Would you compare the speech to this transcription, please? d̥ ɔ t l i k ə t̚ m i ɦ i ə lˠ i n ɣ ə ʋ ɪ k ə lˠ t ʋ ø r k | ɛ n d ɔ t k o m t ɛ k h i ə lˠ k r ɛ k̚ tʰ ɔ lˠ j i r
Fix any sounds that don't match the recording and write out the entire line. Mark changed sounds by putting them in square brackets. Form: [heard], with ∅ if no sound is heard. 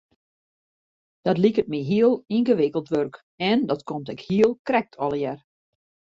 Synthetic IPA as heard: d̥ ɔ t l i k ə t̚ m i ɦ i ə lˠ i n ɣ ə ʋ ɪ k ə lˠ t ʋ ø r k | ɛ n d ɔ t k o m t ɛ k h i ə lˠ k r ɛ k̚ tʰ ɔ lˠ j [ɛ] r

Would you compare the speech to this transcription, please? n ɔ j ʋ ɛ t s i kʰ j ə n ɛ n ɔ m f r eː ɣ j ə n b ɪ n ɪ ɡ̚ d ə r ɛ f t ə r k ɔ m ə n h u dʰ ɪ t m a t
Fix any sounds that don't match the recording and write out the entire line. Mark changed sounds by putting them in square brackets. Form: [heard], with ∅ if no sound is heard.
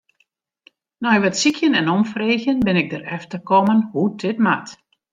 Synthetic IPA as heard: n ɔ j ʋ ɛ t s i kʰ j ə n ɛ n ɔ m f r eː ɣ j ə n b ɪ n ɪ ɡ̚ d ə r ɛ f t ə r k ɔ m ə n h u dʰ ɪ t m a t

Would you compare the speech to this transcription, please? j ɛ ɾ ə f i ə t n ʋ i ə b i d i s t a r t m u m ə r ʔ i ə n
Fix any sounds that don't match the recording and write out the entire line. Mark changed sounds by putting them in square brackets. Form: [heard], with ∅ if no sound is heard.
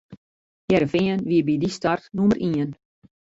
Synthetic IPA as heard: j ɛ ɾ ə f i ə [∅] n ʋ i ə b i d i s t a r t [n] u m ə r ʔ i ə n

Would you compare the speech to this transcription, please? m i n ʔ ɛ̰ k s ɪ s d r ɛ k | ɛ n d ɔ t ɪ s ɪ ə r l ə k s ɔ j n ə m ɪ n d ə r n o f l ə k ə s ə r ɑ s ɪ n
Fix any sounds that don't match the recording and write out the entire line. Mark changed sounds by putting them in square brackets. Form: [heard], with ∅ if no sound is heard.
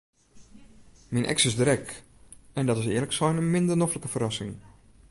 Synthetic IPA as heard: m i n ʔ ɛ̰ k s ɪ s d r ɛ k | ɛ n d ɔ t ɪ s ɪ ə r l ə k s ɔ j n ə m ɪ n d ə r n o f l ə k ə [f] ə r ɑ s ɪ [ŋ]

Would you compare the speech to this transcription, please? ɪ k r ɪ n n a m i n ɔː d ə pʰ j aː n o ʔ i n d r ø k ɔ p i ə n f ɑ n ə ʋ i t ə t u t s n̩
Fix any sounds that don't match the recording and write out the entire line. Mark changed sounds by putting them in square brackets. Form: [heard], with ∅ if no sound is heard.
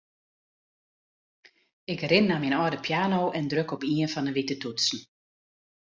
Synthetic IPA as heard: ɪ k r ɪ n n a m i n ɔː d ə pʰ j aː n o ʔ [ɛ] n d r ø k ɔ p i ə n f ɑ n ə ʋ i t ə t u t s n̩

